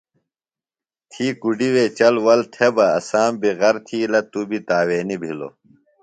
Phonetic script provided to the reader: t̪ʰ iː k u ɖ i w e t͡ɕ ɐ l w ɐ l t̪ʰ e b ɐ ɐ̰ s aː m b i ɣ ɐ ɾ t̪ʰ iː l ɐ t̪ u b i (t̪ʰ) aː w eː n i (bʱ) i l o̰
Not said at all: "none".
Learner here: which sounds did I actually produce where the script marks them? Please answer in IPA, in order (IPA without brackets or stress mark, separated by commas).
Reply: t̪, bʱ